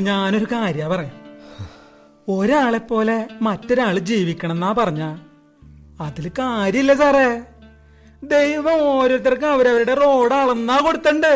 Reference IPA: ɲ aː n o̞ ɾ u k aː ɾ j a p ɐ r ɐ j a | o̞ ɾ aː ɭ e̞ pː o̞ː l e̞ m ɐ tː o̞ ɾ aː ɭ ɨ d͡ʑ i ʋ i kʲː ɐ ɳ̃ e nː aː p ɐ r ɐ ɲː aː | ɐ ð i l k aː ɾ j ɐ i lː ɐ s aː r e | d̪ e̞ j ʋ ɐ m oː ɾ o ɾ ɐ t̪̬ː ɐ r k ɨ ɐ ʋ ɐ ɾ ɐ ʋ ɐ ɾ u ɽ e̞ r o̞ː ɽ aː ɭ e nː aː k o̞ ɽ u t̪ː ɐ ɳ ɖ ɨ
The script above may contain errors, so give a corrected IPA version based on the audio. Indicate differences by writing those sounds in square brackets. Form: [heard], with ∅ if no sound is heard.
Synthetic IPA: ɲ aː n o̞ ɾ u k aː ɾ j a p ɐ r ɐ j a | o̞ ɾ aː ɭ e̞ pː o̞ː l e̞ m ɐ tː o̞ ɾ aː ɭ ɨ d͡ʑ [iː] ʋ i kʲː ɐ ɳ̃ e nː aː p ɐ r ɐ ɲː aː | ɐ ð i l k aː ɾ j ɐ i lː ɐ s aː r e | d̪ e̞ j ʋ ɐ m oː ɾ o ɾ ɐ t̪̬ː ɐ r k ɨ ɐ ʋ ɐ ɾ ɐ ʋ ɐ ɾ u ɽ e̞ r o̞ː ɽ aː ɭ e nː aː k o̞ ɽ u t̪ː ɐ ɳ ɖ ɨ